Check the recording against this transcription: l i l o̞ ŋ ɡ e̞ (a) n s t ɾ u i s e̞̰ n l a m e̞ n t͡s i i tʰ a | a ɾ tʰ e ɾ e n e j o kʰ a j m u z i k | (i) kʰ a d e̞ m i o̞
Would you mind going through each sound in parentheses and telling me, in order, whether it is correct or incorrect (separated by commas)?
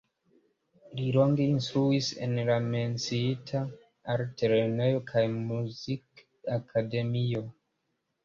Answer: incorrect, incorrect